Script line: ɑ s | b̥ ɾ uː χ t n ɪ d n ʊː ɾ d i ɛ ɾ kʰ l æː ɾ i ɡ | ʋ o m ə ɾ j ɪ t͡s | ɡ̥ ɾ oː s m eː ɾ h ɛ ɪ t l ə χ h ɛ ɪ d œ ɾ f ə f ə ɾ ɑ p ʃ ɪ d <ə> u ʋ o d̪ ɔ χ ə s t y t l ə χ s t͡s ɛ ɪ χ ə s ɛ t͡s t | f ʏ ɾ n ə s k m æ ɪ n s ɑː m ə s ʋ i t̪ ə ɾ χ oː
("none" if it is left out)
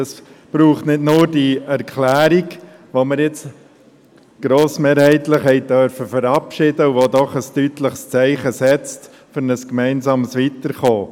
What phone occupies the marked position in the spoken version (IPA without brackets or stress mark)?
ə